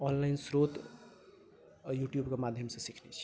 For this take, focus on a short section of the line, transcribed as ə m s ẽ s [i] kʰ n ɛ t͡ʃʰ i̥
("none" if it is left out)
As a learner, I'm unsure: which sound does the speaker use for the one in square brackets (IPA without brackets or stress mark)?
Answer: i